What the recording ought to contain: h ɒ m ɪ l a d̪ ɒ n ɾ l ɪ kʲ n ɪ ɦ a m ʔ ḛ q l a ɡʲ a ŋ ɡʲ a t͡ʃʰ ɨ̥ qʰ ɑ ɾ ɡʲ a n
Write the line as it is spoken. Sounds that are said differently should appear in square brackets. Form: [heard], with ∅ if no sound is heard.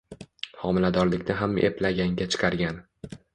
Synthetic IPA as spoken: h ɒ m ɪ l a d̪ ɒ [∅] ɾ l ɪ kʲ n ɪ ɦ a m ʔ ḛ [p] l a ɡʲ a ŋ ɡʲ a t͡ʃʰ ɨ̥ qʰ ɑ ɾ ɡʲ a n